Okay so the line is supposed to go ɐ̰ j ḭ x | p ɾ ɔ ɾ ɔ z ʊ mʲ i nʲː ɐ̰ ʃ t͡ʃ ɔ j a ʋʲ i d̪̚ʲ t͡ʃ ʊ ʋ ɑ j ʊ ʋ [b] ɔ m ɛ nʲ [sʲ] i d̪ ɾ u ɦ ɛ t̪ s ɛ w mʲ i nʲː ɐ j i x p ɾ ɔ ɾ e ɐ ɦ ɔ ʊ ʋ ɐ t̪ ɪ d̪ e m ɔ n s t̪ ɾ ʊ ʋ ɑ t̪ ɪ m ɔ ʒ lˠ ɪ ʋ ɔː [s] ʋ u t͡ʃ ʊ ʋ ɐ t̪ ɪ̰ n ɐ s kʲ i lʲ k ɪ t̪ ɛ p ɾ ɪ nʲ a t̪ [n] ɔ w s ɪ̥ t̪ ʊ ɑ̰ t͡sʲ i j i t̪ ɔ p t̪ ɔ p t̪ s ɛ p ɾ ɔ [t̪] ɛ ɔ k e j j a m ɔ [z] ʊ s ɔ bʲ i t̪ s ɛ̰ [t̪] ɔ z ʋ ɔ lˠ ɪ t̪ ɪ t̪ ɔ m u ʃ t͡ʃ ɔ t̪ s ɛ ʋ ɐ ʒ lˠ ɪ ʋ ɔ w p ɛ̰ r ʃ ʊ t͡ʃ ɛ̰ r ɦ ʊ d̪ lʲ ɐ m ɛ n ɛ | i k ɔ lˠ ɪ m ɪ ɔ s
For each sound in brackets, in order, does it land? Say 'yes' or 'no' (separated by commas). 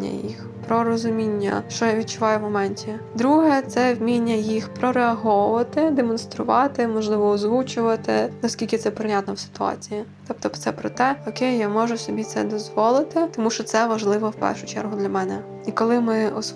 no, no, no, yes, yes, no, no